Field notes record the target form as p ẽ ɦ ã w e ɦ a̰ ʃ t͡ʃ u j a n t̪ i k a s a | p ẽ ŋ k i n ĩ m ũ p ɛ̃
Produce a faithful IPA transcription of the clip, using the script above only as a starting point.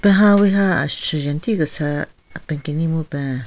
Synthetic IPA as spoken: p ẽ ɦ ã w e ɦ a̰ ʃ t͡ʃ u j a n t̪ i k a s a | p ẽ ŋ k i n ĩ m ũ p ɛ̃